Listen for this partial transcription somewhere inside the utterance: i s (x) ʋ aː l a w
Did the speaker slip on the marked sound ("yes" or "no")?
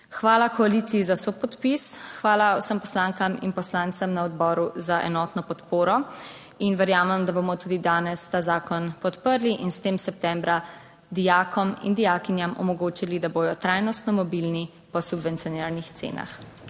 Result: no